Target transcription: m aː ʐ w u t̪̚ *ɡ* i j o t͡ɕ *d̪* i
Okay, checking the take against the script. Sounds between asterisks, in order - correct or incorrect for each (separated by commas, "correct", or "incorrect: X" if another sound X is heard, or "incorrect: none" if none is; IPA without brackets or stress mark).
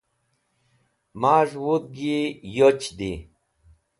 correct, correct